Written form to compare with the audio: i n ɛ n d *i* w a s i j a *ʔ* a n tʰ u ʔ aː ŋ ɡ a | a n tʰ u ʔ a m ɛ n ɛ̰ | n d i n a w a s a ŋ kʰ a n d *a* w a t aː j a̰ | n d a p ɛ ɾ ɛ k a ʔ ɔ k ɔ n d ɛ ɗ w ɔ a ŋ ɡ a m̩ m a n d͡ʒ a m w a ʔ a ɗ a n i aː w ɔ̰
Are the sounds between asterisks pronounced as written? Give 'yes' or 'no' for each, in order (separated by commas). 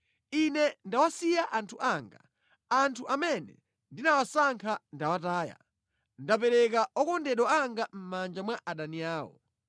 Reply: no, yes, yes